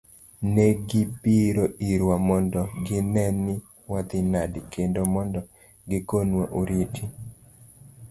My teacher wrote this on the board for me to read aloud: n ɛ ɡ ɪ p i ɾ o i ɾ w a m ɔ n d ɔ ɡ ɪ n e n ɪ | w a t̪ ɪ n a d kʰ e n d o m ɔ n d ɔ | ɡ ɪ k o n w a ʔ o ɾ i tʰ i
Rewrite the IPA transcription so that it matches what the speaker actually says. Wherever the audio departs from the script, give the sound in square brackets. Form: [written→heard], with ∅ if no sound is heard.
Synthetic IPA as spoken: n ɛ ɡ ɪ p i ɾ o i ɾ w a m ɔ n d ɔ ɡ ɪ n [e→ɛ] n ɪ | w a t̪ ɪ n a d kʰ e n d o m ɔ n d ɔ | ɡ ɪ k o n w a ʔ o ɾ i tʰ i